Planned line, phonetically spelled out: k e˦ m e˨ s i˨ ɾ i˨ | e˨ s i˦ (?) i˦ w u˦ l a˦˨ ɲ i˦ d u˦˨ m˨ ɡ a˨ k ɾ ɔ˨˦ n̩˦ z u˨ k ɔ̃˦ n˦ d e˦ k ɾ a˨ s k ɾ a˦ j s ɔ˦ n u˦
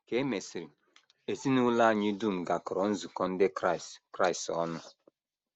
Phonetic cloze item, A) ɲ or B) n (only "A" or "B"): B